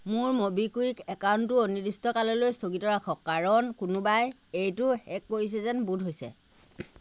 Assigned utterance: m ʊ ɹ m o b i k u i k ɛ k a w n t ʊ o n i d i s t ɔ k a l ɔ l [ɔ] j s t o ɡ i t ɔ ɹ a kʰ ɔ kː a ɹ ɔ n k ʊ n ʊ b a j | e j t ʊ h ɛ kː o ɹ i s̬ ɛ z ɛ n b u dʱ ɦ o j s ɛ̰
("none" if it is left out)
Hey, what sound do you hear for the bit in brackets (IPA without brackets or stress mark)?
o